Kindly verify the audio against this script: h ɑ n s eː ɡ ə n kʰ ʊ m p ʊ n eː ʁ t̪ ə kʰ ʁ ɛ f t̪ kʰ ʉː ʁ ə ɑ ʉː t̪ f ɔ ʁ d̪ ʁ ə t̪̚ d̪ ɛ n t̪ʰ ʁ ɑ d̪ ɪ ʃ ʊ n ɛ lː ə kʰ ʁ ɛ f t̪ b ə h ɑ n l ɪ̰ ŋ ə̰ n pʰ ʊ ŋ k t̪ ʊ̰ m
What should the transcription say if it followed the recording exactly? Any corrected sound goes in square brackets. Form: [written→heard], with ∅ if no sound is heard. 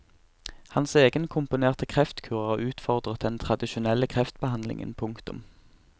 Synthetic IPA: h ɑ n s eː ɡ ə n kʰ ʊ m p ʊ n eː ʁ t̪ ə kʰ ʁ ɛ f t̪ kʰ ʉː ʁ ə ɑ ʉː t̪ f ɔ ʁ d̪ ʁ ə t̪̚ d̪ ɛ n t̪ʰ ʁ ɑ d̪ ɪ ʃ ʊ n ɛ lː ə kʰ ʁ ɛ f t̪ b ə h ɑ n l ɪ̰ ŋ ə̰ n pʰ ʊ ŋ k t̪ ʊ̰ m